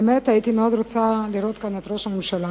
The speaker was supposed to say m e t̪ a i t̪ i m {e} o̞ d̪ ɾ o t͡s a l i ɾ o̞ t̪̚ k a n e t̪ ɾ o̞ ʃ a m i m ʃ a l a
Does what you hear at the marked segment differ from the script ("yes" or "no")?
no